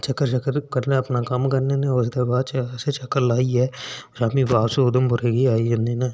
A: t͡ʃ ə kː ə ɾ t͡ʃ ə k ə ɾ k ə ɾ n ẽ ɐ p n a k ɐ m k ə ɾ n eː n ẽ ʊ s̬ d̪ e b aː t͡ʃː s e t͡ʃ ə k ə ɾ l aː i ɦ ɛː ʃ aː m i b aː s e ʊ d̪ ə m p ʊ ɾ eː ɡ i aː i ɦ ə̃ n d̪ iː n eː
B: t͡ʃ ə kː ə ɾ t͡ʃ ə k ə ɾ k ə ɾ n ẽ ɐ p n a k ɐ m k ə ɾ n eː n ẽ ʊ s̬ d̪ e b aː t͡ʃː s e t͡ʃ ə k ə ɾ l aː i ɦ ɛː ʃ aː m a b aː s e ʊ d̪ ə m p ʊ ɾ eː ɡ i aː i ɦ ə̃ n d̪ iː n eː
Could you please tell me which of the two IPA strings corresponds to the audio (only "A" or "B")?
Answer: A